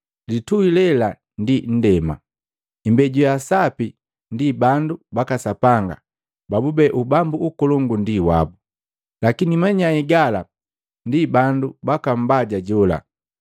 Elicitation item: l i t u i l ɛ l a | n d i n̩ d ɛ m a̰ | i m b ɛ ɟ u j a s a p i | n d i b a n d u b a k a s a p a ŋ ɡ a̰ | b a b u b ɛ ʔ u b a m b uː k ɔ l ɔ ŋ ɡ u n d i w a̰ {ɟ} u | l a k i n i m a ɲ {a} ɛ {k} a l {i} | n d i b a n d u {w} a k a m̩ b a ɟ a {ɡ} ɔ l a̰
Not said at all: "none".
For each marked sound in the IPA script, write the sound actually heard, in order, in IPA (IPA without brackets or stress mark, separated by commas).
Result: b, a, ɡ, a, b, ɟ